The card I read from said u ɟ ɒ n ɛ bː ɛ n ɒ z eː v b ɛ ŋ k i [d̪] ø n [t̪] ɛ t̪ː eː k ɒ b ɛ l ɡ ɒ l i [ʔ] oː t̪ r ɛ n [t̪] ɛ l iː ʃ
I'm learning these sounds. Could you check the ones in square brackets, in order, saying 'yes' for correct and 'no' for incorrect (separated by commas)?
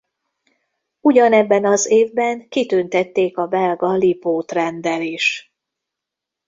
no, yes, no, no